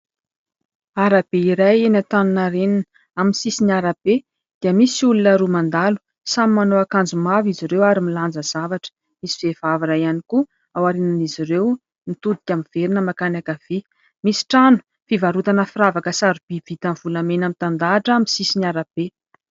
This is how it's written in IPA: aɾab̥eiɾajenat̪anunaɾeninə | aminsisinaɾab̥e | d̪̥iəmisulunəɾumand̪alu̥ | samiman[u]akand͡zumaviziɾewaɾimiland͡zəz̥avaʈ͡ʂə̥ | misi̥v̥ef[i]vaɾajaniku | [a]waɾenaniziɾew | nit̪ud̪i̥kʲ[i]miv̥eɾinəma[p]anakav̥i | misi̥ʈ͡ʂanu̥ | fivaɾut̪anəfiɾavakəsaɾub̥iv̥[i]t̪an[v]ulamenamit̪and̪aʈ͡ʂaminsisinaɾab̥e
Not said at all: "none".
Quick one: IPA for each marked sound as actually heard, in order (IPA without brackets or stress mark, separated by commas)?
o, a, a, a, k, i, v